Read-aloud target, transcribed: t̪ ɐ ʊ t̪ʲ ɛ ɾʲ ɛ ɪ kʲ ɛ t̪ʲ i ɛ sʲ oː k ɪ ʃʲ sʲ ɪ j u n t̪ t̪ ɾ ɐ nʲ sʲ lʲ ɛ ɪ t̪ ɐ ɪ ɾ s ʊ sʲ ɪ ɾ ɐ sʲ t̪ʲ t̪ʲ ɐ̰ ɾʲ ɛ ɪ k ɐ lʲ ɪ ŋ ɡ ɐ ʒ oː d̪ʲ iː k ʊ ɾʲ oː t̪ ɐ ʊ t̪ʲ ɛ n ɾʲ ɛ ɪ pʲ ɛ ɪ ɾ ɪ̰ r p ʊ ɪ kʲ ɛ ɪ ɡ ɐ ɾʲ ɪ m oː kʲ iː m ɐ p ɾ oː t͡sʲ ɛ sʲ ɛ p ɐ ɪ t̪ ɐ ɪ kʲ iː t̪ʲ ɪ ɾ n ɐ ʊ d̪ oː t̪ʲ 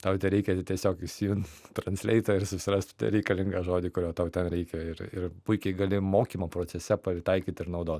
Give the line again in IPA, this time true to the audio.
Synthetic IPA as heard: t̪ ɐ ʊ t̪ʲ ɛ ɾʲ ɛ ɪ kʲ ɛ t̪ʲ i ɛ sʲ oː k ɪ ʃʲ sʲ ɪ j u n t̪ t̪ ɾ ɐ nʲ sʲ lʲ ɛ ɪ t̪ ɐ ɪ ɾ s ʊ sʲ ɪ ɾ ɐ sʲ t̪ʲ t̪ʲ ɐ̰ ɾʲ ɛ ɪ k ɐ lʲ ɪ ŋ ɡ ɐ ʒ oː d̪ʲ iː k ʊ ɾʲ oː t̪ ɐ ʊ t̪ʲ ɛ n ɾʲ ɛ ɪ kʲ ɛ ɪ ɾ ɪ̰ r p ʊ ɪ kʲ ɛ ɪ ɡ ɐ lʲ ɪ m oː kʲ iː m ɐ p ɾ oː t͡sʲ ɛ sʲ ɛ p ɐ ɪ t̪ ɐ ɪ kʲ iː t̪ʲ ɪ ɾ n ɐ ʊ d̪ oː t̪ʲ

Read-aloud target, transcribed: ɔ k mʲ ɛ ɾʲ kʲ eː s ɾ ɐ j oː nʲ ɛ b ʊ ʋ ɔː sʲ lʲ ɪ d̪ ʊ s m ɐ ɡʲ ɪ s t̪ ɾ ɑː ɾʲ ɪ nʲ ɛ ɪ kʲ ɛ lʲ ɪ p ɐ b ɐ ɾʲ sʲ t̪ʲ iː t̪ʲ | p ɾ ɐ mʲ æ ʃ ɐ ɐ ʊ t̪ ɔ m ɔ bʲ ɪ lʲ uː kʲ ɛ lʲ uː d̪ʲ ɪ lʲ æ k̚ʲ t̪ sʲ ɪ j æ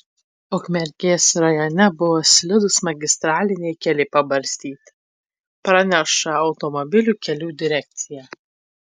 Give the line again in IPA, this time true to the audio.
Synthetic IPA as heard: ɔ k mʲ ɛ ɾʲ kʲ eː s ɾ ɐ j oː nʲ ɛ b ʊ ʋ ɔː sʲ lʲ ɪ d̪ ʊ s m ɐ ɡʲ ɪ s t̪ ɾ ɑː lʲ ɪ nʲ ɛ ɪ kʲ ɛ lʲ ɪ p ɐ b ɐ ɾʲ sʲ t̪ʲ iː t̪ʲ | p ɾ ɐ nʲ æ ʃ ɐ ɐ ʊ t̪ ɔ m ɔ bʲ ɪ lʲ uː kʲ ɛ lʲ uː d̪ʲ ɪ ɾʲ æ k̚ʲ t̪ sʲ ɪ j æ

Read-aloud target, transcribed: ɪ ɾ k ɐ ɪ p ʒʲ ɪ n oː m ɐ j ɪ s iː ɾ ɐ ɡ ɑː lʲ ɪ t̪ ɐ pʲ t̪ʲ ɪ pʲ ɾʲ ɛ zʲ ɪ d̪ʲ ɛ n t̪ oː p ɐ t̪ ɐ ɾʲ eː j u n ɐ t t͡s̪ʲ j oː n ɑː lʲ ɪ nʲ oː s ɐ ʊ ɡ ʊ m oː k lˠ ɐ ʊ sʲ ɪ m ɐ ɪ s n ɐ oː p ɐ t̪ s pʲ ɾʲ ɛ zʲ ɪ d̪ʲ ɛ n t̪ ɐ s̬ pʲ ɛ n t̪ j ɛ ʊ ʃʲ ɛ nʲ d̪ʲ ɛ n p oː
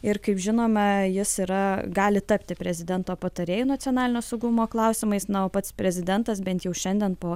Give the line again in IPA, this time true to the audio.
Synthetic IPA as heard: ɪ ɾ k ɐ ɪ p ʒʲ ɪ n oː m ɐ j ɪ s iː ɾ ɐ ɡ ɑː lʲ ɪ t̪ ɐ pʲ t̪ʲ ɪ pʲ ɾʲ ɛ zʲ ɪ d̪ʲ ɛ n t̪ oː p ɐ t̪ ɐ ɾʲ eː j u n ɐ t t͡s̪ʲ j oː n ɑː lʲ ɪ nʲ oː s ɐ ʊ ɡ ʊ m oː k lˠ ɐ ʊ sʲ ɪ m ɐ ɪ s n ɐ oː p ɐ t̪ s pʲ ɾʲ ɛ zʲ ɪ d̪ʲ ɛ n t̪ ɐ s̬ bʲ ɛ n t̪ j ɛ ʊ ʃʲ ɛ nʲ d̪ʲ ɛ n p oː

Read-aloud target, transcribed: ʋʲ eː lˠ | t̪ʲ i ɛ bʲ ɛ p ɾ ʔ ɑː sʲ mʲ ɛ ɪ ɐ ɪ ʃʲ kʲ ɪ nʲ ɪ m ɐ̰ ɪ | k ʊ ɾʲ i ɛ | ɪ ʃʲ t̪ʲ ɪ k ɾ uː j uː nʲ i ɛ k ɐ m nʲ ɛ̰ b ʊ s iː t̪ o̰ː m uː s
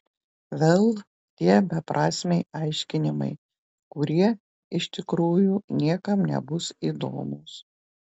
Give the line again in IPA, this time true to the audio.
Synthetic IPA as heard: ʋʲ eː lˠ | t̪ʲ i ɛ bʲ ɛ p ɾ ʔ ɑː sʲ mʲ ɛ ɪ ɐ ɪ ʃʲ kʲ ɪ nʲ ɪ m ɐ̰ ɪ | k ʊ ɾʲ i ɛ | ɪ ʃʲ t̪ʲ ɪ k ɾ uː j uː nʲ i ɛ k ɐ m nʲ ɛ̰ b ʊ s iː d̪ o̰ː m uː s

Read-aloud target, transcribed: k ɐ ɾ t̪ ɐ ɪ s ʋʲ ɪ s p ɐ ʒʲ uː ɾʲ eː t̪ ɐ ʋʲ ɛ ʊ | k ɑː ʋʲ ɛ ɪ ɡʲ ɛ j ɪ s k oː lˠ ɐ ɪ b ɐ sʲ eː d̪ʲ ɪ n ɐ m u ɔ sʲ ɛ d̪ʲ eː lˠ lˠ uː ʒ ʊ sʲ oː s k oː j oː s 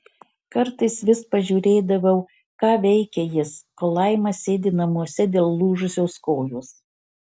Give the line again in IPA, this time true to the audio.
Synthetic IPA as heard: k ɐ ɾ t̪ ɐ ɪ s ʋʲ ɪ s p ɐ ʒʲ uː ɾʲ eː d̪ ɐ ʋʲ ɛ ʊ | k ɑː ʋʲ ɛ ɪ kʲ ɛ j ɪ s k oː lˠ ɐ ɪ m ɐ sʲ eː d̪ʲ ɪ n ɐ m u ɔ sʲ ɛ d̪ʲ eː lˠ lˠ uː ʒ ʊ sʲ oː s k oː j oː s

